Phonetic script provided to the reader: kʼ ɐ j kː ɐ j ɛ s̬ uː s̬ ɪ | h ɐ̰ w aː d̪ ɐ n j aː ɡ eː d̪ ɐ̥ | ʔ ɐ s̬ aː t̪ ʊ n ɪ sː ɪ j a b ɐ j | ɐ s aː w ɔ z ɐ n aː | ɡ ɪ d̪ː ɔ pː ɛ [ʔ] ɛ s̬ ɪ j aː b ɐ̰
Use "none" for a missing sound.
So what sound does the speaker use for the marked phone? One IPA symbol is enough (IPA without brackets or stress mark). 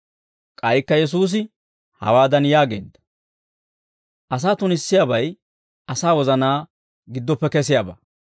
k